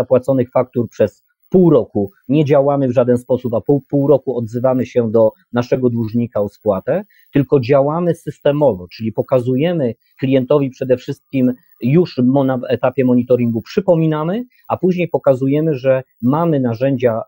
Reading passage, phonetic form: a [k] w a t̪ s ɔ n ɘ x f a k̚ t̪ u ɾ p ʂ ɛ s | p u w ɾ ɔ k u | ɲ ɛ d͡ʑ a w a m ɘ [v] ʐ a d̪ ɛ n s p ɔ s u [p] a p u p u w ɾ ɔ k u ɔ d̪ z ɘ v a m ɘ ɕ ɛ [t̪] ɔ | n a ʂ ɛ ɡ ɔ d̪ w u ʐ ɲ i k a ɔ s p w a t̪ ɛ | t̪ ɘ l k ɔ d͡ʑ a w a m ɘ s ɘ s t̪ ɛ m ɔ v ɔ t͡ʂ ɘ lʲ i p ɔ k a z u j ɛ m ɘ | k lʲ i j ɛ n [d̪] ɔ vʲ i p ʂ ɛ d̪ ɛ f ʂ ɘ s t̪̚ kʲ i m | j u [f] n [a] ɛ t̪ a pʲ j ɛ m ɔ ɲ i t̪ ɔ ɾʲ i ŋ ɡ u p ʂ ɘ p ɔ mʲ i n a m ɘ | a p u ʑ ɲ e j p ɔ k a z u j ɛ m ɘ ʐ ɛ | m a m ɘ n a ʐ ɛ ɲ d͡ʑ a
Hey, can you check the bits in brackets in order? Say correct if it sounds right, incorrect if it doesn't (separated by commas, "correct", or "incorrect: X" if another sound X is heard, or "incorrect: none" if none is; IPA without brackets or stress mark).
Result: incorrect: p, correct, correct, incorrect: d̪, incorrect: t̪, incorrect: ʂ, correct